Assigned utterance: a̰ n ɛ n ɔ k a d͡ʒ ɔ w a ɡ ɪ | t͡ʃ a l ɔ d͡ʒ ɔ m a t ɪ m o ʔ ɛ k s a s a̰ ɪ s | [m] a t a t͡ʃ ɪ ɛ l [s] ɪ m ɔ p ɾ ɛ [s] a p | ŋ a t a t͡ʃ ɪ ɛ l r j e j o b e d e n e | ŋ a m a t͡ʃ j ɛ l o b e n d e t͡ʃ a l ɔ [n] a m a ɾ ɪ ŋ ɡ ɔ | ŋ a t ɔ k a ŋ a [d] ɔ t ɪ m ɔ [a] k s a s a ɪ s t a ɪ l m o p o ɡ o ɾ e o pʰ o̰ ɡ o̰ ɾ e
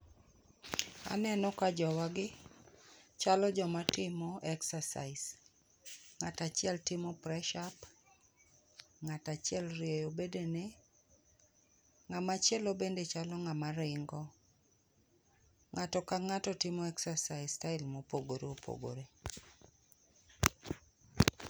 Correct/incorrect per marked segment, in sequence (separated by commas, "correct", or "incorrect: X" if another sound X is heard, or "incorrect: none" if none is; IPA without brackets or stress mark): incorrect: ŋ, incorrect: t, incorrect: ʃ, incorrect: ŋ, incorrect: t, incorrect: ɛ